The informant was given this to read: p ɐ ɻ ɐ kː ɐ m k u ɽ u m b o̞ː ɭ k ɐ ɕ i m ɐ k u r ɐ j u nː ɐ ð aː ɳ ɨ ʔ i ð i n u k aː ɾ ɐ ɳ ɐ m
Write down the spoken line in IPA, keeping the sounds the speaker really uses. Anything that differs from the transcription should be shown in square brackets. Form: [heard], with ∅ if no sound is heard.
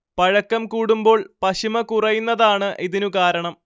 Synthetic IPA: p ɐ ɻ ɐ kː ɐ m k [uː] ɽ u m b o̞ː ɭ [p] ɐ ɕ i m ɐ k u r ɐ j u nː ɐ ð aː ɳ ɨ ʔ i ð i n u k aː ɾ ɐ ɳ ɐ m